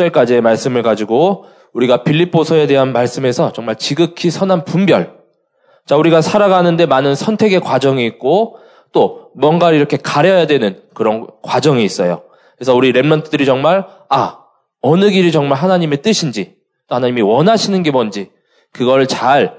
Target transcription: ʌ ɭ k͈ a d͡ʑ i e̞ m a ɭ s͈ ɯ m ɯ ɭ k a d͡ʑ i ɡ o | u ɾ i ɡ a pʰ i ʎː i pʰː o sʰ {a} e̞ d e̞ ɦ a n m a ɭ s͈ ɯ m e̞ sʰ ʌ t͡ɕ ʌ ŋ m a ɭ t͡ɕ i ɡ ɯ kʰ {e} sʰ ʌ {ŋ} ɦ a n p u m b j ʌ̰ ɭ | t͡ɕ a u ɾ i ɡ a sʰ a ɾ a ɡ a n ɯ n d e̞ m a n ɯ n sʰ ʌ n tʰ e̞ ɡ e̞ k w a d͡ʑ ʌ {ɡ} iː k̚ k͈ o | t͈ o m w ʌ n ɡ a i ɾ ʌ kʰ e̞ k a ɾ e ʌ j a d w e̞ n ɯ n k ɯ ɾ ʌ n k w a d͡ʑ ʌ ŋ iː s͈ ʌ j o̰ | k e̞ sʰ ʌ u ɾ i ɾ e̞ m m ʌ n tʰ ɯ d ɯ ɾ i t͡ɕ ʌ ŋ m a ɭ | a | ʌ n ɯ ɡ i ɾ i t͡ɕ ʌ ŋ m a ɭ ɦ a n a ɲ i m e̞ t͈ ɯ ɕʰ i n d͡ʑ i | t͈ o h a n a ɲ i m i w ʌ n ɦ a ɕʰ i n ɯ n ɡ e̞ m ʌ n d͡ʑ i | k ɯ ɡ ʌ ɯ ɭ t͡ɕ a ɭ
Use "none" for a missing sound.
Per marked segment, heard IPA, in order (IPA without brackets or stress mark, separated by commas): ʌ, i, n, ŋ